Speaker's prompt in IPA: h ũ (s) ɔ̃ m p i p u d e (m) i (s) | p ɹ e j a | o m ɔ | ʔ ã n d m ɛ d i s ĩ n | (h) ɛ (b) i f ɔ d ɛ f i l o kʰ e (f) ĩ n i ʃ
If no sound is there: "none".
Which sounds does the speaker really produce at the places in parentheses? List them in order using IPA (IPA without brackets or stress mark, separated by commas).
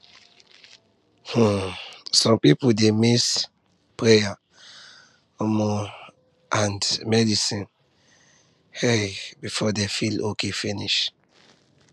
s, m, s, h, b, f